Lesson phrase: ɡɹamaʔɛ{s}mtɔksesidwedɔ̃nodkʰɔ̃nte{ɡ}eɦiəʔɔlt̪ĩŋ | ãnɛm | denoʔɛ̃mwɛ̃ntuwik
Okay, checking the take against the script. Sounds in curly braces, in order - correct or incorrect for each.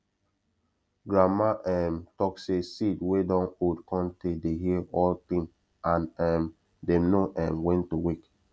incorrect: none, incorrect: d

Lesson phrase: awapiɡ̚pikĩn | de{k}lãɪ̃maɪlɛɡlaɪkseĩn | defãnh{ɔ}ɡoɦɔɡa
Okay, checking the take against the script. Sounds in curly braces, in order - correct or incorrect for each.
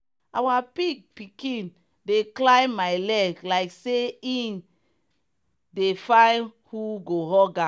correct, incorrect: u

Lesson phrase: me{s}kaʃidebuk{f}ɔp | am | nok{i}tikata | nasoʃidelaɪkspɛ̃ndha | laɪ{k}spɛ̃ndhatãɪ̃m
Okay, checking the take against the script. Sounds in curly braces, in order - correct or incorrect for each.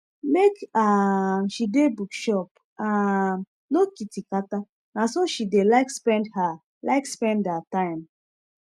incorrect: none, incorrect: ʃ, correct, correct

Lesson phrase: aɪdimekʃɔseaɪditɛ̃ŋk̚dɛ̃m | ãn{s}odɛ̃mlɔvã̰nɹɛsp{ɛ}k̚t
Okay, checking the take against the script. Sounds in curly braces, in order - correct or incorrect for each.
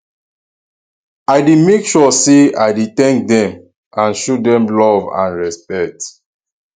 incorrect: ʃ, correct

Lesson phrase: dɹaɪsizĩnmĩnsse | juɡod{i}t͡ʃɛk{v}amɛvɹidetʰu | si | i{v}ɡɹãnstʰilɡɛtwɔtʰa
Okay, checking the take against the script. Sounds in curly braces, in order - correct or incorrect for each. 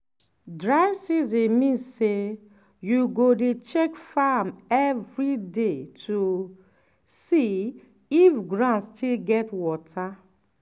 incorrect: e, incorrect: f, incorrect: f

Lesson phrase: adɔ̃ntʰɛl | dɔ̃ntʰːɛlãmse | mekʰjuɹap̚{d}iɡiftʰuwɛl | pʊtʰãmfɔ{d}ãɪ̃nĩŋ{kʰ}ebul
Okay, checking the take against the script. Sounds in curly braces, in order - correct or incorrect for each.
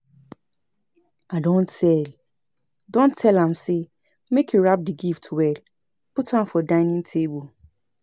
correct, correct, incorrect: tʰ

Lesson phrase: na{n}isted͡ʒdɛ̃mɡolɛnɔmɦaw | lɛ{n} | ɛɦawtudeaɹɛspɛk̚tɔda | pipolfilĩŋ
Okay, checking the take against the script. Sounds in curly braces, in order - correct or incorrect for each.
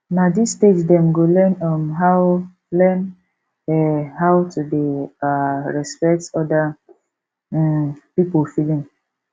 incorrect: d, correct

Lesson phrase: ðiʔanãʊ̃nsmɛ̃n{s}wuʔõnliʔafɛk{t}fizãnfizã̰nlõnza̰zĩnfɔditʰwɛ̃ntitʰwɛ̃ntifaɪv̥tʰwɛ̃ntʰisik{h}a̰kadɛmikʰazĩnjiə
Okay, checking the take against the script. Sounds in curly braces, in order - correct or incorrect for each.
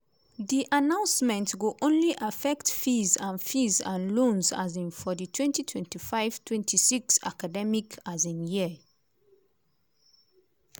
incorrect: t, correct, incorrect: s

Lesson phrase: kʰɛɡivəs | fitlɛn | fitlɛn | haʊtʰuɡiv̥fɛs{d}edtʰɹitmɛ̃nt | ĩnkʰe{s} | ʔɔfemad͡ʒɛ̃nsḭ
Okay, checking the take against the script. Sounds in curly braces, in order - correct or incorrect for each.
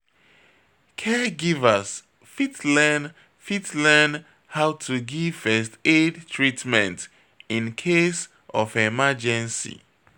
incorrect: t, correct

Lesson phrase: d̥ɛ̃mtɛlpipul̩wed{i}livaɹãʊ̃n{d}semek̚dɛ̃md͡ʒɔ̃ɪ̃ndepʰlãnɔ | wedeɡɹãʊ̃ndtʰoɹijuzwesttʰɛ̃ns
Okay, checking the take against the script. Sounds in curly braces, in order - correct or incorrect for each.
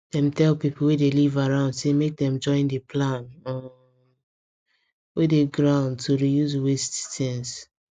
incorrect: e, correct

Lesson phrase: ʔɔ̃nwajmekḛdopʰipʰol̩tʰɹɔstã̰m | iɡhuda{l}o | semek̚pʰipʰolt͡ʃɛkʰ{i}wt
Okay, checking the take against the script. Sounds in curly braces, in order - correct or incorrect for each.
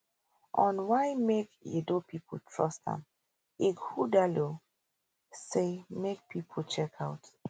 correct, incorrect: a

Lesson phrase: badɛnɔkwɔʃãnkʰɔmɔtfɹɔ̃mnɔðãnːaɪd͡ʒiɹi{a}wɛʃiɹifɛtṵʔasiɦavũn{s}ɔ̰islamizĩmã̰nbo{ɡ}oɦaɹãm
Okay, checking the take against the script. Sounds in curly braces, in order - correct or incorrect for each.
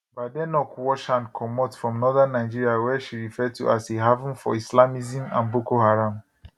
correct, incorrect: f, incorrect: k

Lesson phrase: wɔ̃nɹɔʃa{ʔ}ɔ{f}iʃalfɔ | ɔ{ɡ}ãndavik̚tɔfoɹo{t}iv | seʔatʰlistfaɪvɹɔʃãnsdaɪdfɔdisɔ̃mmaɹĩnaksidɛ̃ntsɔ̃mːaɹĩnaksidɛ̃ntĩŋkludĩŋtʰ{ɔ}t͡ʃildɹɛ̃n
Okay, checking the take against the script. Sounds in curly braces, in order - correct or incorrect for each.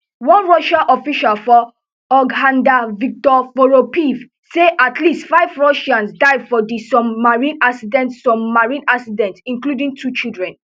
correct, correct, correct, incorrect: p, incorrect: u

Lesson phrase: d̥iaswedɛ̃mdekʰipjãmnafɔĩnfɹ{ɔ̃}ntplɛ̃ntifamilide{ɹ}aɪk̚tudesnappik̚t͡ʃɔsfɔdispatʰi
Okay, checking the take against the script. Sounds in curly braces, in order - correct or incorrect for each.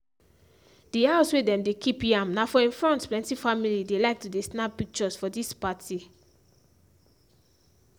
correct, incorrect: l

